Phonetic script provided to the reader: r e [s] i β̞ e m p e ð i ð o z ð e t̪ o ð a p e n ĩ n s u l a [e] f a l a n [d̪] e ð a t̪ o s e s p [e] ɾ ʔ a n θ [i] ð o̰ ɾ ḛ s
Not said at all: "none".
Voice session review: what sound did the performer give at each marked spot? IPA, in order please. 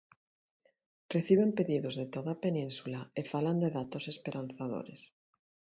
θ, e, d̪, e, a

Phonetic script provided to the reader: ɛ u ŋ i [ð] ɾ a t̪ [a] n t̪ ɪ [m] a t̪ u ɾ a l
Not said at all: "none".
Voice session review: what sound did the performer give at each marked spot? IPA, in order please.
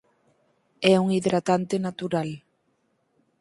ð, a, n

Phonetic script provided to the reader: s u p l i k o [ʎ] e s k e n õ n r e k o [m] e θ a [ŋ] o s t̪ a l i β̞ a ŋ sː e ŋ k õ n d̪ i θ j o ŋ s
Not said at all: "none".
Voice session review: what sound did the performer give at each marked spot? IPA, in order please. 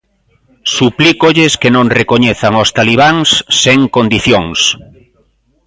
ʎ, ɲ, ŋ

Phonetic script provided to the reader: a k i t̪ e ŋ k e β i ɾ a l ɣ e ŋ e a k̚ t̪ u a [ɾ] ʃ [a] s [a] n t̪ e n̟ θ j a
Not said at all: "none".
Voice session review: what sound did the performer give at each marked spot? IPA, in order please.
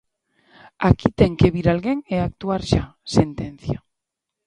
ɾ, a, e

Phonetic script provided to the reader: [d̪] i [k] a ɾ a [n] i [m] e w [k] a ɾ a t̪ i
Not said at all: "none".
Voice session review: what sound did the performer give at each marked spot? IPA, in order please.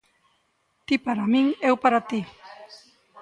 t̪, p, m, ŋ, p

